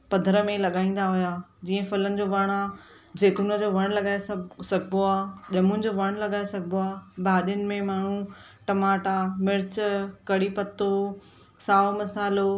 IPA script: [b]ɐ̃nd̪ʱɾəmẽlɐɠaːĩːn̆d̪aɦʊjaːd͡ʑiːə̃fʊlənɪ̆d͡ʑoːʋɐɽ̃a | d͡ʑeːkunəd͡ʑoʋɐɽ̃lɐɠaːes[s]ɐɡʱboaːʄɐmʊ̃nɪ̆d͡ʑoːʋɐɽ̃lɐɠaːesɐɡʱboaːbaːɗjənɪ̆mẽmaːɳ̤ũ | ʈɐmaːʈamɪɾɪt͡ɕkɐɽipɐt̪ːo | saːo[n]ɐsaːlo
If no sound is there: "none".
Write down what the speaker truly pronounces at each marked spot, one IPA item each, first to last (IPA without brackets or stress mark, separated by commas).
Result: p, s, m